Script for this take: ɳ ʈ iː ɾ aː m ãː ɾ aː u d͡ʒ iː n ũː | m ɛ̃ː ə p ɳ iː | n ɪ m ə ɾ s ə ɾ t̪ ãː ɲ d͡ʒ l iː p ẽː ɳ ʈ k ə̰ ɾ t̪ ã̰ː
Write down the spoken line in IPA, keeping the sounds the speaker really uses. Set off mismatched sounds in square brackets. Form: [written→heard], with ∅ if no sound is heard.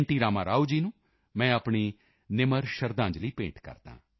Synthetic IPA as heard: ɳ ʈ iː ɾ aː m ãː ɾ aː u d͡ʒ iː n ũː | m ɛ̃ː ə p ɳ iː | n ɪ m ə ɾ [s→ʃ] ə ɾ [t̪→d̪] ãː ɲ d͡ʒ l iː p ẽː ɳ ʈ k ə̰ ɾ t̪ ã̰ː